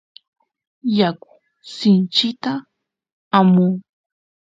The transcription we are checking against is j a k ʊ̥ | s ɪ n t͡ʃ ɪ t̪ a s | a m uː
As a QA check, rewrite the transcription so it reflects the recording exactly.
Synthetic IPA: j a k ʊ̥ | s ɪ n t͡ʃ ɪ t̪ a | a m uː